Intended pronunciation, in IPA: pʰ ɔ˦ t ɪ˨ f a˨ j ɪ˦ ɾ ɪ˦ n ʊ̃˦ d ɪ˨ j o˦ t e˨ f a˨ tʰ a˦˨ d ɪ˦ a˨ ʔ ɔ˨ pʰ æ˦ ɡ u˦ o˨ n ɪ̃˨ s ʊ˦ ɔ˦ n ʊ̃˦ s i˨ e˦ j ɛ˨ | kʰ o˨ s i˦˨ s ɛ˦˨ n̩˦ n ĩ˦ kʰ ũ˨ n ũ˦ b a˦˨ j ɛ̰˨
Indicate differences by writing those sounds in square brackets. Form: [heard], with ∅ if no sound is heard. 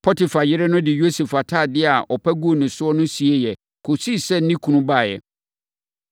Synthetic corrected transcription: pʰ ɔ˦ t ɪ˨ f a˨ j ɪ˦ ɾ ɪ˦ n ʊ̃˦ d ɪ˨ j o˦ [s] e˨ f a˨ tʰ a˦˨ d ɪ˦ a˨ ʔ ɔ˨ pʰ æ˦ ɡ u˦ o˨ n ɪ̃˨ s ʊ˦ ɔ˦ n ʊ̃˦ s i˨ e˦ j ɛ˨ | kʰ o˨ s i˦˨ s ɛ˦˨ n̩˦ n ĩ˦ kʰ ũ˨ n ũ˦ b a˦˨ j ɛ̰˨